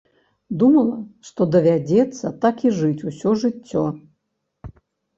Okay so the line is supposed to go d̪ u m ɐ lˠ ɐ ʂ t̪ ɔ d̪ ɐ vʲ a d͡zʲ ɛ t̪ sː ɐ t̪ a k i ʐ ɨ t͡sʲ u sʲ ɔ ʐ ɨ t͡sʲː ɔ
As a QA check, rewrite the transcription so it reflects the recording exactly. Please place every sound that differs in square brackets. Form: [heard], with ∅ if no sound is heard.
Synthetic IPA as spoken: d̪ u m ɐ lˠ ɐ ʂ t̪ ɔ d̪ ɐ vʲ a d͡zʲ ɛ t̪ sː ɐ t̪ a k i ʐ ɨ t͡sʲ u sʲ ɔ ʐ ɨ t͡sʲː ɔ